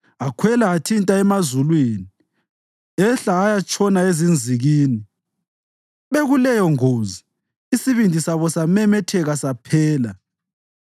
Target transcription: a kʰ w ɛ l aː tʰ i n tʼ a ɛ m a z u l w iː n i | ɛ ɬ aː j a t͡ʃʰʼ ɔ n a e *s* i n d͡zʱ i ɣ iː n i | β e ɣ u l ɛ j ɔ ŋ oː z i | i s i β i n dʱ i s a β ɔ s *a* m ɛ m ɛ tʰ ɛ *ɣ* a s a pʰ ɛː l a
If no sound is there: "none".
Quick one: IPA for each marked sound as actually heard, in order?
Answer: z, a, ɣ

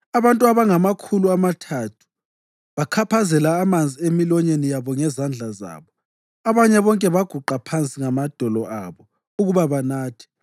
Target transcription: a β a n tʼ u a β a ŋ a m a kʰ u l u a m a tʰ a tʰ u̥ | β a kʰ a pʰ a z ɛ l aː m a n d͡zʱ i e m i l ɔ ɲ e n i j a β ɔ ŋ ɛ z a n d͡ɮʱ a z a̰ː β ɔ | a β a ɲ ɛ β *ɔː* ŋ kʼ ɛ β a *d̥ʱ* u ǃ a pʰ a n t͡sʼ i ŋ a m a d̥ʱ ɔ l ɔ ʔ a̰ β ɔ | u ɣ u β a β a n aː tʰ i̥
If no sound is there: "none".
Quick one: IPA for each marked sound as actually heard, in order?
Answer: ɔ, ɡ̥ʱ

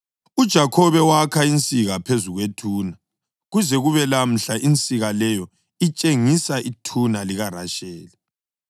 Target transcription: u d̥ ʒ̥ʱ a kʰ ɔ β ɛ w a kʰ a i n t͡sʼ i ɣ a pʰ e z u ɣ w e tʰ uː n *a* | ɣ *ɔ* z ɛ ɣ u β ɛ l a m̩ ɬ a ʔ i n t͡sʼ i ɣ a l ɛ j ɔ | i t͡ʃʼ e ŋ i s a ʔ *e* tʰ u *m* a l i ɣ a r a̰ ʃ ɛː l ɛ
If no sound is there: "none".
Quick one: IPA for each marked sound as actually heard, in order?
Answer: a, u, i, n

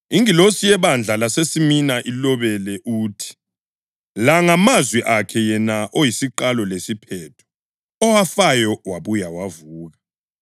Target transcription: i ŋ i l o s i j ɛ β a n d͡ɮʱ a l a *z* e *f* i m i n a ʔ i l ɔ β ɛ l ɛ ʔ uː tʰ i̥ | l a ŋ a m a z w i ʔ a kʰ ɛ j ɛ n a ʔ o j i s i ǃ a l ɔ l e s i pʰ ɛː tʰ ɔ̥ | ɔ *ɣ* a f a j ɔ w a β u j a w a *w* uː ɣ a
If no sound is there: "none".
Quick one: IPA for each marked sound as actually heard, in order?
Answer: s, s, w, v

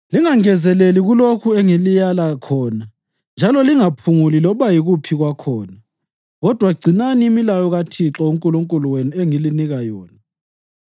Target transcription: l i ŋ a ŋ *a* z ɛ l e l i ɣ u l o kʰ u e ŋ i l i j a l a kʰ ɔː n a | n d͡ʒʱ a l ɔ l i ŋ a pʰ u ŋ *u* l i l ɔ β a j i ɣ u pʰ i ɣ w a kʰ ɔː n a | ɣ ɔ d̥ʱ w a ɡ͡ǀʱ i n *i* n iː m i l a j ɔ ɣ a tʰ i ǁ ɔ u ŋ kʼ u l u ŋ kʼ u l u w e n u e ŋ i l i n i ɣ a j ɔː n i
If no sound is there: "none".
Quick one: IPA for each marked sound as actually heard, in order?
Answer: ɛ, u, a

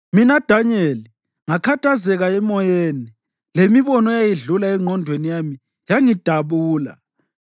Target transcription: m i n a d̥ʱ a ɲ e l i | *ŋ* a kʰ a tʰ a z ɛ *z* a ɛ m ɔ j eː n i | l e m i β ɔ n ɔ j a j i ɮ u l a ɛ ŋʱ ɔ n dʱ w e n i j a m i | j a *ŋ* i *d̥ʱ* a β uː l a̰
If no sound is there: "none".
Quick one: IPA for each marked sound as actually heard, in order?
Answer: ŋ, ɣ, ŋ, d̥ʱ

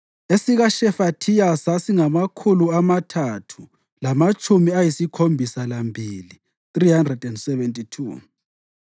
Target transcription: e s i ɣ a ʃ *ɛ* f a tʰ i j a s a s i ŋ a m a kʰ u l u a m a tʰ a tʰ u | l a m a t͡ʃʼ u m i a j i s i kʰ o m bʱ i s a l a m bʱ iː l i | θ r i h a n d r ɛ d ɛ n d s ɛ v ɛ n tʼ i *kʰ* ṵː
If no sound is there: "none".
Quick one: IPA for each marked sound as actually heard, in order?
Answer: ɛ, tʰ

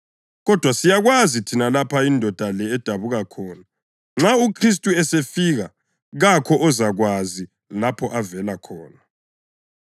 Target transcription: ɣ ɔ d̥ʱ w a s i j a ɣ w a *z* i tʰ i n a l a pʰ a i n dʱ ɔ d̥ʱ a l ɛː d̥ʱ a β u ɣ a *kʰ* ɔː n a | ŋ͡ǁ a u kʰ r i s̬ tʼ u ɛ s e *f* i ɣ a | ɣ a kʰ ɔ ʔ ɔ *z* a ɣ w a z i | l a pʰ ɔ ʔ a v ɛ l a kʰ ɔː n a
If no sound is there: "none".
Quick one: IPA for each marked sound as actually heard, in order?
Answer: z, kʰ, f, z

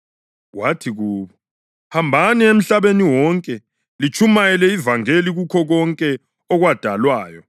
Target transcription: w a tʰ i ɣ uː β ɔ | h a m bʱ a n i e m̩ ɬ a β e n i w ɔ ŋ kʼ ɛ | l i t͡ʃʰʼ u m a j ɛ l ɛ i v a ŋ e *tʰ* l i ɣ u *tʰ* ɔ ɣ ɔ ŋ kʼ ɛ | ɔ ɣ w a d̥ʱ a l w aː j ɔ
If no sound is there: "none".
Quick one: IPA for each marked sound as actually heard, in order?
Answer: none, kʰ

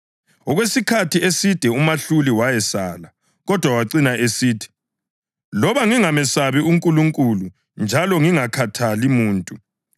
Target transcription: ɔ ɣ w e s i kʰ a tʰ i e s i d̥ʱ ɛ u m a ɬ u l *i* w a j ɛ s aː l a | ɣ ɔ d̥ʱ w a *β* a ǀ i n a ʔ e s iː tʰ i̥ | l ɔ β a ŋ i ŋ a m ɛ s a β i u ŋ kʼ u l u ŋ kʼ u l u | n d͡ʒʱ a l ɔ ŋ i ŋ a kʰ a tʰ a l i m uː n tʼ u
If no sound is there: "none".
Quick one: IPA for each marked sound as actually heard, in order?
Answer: i, w

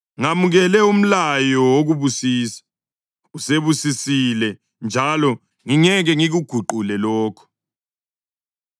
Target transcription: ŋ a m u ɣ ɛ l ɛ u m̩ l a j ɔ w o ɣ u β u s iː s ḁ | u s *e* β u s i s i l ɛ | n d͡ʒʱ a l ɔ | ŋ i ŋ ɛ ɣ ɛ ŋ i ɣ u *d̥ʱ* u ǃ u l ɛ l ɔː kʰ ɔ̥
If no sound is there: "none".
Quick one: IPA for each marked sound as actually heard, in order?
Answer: e, ɡ̥ʱ

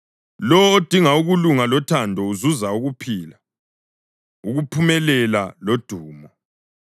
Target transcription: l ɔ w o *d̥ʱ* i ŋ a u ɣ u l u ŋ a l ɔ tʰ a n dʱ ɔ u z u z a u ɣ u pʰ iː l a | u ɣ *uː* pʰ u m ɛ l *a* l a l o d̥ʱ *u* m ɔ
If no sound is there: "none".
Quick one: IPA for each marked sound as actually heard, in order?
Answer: d̥ʱ, u, ɛ, uː

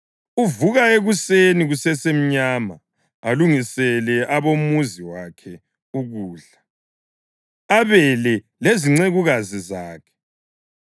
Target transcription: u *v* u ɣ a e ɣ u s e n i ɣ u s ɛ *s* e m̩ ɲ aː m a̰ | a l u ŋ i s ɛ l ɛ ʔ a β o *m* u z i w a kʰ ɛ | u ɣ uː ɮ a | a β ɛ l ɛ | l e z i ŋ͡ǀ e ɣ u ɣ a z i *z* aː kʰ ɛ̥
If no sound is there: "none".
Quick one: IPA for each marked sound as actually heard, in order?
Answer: v, s, m, z

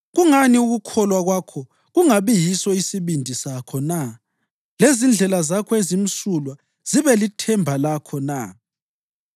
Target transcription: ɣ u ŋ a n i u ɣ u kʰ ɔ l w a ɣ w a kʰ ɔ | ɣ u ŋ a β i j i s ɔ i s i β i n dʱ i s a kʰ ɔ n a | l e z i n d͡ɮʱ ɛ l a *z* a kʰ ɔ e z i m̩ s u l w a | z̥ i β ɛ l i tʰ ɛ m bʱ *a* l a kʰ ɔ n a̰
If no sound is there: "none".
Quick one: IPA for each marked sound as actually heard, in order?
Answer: z, a

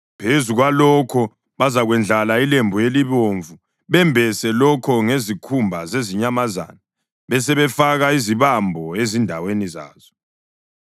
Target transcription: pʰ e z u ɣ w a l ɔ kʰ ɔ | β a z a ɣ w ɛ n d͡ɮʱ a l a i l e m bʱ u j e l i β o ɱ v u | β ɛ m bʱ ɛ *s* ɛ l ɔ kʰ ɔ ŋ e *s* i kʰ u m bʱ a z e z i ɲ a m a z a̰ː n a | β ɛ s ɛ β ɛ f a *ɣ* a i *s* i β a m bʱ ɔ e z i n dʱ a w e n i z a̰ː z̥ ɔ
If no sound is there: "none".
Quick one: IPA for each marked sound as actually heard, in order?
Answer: s, z, ɣ, z

